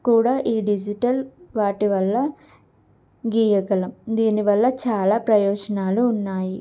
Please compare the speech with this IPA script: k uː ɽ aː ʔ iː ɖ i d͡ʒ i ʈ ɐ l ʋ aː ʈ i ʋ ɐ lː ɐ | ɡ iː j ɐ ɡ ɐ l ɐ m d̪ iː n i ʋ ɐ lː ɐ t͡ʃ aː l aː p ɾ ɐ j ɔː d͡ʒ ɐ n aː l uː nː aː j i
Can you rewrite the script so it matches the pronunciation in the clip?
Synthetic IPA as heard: k uː ɽ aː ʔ iː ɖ i d͡ʒ i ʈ ɐ l ʋ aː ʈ i ʋ ɐ lː ɐ | ɡ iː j ɐ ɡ ɐ l ɐ m d̪ iː n i ʋ ɐ lː ɐ t͡ʃ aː l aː p ɾ ɐ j ɔː d͡ʒ ɐ n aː l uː nː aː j i